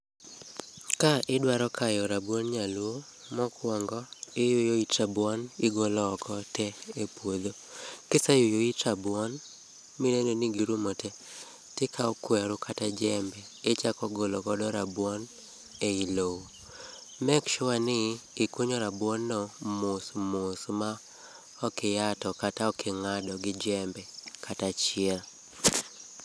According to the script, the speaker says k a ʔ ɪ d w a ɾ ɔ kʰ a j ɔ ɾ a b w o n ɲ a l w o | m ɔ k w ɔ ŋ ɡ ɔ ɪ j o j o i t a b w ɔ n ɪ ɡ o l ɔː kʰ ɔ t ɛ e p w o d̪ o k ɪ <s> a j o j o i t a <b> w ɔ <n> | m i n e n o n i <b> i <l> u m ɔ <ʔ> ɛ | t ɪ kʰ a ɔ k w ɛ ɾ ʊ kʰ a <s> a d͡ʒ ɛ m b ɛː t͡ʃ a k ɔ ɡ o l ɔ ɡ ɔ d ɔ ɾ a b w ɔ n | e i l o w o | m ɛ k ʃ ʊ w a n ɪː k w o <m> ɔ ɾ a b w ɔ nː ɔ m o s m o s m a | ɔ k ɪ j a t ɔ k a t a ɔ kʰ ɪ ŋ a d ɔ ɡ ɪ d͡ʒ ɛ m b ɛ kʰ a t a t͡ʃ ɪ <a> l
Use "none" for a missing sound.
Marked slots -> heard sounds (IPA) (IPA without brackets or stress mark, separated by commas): s, b, n, ɡ, ɾ, t, t, ɲ, ɛ